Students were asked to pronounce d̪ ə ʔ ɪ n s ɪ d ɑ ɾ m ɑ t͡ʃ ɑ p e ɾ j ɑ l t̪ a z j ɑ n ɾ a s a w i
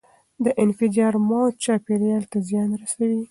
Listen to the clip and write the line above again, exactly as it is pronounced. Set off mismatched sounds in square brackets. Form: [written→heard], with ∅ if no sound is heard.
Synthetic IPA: d̪ ə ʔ ɪ n [s→f] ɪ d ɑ ɾ m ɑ t͡ʃ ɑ p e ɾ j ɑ l t̪ a z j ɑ n ɾ a s a w i